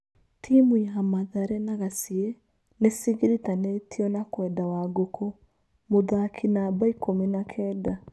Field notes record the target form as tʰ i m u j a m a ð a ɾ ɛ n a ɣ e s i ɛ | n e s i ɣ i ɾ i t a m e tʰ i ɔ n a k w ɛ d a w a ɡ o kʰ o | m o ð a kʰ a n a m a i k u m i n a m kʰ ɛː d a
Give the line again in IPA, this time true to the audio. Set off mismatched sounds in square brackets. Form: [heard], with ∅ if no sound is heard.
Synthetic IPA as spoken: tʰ i m u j a m a ð a ɾ ɛ n a ɣ [a] s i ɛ | n e s i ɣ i ɾ i t a [n] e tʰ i ɔ n a k w ɛ d a w a ɡ o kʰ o | m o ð a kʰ [i] n a [b] a i k [o] m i n a [∅] kʰ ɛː d a